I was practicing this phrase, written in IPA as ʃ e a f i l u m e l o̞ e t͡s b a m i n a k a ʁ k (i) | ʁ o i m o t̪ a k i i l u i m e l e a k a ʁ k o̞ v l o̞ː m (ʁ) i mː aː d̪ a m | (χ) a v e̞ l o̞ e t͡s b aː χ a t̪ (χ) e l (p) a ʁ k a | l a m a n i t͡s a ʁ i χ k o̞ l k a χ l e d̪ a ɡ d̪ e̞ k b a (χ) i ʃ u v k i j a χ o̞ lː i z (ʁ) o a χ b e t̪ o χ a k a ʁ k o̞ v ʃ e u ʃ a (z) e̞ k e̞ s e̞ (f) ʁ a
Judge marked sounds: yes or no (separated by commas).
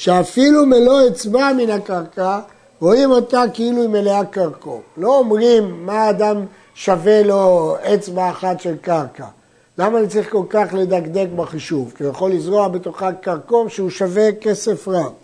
no, yes, no, no, no, yes, yes, no, yes